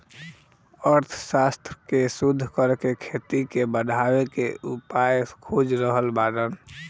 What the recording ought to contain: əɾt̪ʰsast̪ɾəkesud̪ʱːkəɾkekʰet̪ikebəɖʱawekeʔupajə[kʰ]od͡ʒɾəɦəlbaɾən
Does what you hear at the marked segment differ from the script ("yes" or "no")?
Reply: no